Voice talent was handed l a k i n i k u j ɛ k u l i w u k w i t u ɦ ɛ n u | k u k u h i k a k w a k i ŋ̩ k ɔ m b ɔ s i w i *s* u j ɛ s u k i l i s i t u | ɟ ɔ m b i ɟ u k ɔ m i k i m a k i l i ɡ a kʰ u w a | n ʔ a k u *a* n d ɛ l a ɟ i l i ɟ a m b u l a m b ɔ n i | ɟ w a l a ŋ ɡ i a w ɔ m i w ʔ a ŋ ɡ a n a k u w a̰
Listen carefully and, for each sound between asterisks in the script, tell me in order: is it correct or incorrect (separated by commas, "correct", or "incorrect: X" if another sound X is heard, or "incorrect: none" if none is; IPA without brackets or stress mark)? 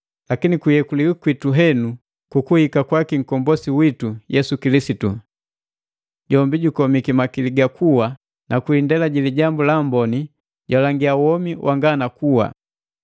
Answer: incorrect: t, incorrect: i